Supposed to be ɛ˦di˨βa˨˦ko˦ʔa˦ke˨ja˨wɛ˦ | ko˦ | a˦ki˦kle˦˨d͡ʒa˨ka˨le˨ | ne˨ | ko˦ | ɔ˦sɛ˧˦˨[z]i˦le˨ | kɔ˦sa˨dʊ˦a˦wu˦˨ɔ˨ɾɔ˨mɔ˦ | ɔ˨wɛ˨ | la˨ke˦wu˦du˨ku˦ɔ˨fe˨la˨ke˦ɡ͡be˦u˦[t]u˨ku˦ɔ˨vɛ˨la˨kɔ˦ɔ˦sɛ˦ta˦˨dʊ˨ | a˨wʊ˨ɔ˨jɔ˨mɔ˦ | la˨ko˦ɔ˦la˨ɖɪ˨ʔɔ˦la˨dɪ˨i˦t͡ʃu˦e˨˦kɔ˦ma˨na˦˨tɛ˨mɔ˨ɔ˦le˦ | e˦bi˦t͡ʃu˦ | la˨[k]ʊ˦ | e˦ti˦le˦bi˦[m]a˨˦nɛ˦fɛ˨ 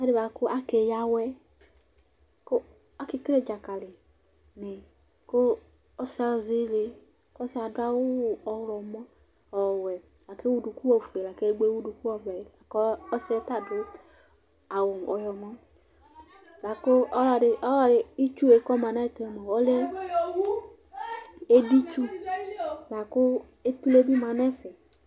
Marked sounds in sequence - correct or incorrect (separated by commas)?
correct, incorrect, correct, correct